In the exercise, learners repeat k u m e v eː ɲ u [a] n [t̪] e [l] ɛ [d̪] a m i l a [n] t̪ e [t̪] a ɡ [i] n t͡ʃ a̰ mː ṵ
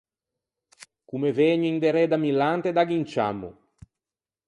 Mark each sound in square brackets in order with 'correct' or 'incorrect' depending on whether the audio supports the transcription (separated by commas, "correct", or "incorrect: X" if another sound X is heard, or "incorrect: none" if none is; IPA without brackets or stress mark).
incorrect: i, incorrect: d̪, incorrect: ɾ, correct, correct, incorrect: d̪, correct